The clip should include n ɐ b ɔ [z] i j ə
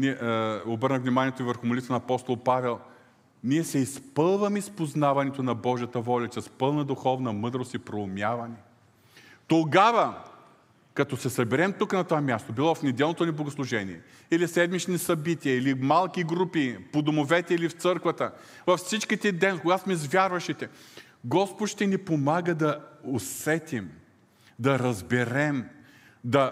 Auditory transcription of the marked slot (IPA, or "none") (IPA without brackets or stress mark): ʒ